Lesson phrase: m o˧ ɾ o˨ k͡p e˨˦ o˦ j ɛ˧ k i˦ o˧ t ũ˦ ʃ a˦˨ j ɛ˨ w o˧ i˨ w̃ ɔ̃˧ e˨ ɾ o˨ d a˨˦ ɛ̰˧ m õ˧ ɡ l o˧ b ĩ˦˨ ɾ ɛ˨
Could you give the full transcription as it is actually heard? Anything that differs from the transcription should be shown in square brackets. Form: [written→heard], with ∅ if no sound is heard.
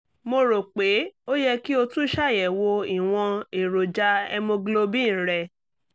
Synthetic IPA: m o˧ ɾ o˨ k͡p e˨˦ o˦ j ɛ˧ k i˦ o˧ t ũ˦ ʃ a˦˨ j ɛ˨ w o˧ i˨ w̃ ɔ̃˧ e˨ ɾ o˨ [d→d͡ʒ] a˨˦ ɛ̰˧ m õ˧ ɡ l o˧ b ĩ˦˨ ɾ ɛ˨